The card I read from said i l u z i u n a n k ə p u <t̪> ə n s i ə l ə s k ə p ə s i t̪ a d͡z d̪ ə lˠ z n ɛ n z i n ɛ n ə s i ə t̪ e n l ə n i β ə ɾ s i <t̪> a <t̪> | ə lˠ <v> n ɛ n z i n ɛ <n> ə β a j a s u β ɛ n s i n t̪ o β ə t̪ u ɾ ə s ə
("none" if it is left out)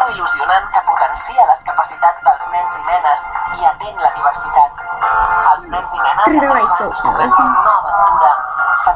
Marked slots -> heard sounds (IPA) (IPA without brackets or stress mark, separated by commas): t̪, t̪, t̪, z, n